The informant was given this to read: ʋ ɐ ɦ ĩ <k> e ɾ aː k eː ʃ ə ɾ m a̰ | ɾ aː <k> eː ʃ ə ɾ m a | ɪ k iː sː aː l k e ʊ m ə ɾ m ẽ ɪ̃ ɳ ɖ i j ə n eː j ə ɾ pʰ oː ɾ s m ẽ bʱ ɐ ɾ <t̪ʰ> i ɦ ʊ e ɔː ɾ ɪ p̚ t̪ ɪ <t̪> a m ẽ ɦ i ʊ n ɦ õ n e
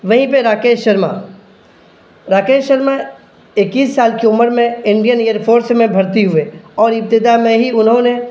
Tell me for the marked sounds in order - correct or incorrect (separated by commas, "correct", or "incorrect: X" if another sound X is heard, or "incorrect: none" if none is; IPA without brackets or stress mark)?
incorrect: p, correct, incorrect: t̪, incorrect: d̪